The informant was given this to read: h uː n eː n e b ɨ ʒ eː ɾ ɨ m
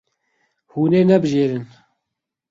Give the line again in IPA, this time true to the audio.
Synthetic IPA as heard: h uː n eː n ɛ b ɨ ʒ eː ɾ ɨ n